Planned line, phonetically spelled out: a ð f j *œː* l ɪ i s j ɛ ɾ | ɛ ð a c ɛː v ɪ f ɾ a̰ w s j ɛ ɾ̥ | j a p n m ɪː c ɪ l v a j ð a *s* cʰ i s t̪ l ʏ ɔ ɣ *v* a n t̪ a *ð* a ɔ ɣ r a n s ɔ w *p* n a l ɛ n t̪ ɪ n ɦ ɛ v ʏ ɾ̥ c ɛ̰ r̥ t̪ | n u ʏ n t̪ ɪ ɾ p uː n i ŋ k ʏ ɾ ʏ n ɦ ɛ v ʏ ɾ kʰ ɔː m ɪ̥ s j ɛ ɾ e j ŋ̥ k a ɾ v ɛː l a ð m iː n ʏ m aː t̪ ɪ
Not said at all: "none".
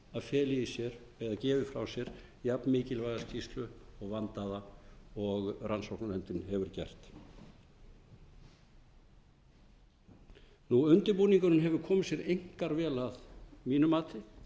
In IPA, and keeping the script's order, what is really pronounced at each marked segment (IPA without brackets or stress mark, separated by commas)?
ɛː, s, v, ð, k